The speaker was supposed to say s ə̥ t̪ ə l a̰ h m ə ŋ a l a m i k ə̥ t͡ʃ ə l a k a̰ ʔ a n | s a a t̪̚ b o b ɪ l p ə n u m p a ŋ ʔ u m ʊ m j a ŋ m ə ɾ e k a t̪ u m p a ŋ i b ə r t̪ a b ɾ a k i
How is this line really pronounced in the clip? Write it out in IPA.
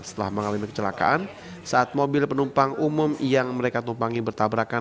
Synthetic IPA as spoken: s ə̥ t̪ ə l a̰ h m ə ŋ a l a m i k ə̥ t͡ʃ ə l a k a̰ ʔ a n | s a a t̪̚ m o b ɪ l p ə n u m p a ŋ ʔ u m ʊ m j a ŋ m ə ɾ e k a t̪ u m p a ŋ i b ə r t̪ a b ɾ a k a